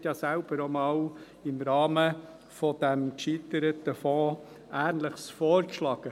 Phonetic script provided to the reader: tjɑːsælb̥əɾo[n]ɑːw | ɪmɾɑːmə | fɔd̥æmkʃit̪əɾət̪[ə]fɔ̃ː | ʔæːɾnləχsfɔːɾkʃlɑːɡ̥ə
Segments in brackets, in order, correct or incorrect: incorrect, correct

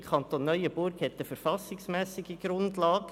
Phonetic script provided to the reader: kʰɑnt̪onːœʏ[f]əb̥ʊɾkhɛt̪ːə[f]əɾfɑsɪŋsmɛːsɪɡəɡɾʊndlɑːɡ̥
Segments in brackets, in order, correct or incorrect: incorrect, correct

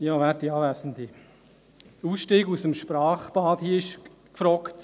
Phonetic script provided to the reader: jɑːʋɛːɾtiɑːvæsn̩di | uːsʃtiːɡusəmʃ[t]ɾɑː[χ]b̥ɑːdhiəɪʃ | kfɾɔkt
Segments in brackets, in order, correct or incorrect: incorrect, correct

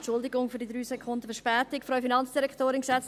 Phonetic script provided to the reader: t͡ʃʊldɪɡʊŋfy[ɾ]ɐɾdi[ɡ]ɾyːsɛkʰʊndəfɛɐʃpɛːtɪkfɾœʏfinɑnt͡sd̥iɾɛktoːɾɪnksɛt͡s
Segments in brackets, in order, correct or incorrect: incorrect, incorrect

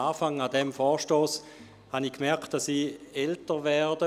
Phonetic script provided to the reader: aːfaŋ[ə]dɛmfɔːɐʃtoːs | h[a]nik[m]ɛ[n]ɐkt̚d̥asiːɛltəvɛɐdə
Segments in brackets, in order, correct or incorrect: incorrect, correct, correct, incorrect

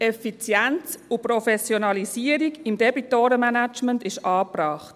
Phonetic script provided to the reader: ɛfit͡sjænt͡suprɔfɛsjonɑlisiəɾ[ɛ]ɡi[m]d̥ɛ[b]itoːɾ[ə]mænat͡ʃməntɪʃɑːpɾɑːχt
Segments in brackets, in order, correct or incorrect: incorrect, correct, correct, correct

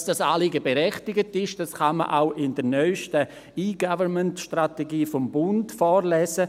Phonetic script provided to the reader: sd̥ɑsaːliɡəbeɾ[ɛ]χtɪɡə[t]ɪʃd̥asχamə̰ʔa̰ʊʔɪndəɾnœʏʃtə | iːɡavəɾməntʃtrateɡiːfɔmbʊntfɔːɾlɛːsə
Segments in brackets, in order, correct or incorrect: correct, correct

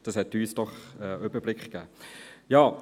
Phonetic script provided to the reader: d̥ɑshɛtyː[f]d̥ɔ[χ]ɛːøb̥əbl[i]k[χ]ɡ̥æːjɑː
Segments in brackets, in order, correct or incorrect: incorrect, correct, incorrect, correct

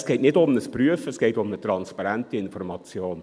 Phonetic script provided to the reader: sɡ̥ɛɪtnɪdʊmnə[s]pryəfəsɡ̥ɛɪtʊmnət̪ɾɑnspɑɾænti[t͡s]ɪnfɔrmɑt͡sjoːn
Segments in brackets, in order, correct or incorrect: correct, incorrect

